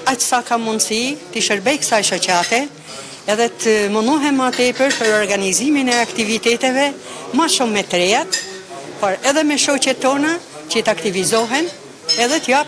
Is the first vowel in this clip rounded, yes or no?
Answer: no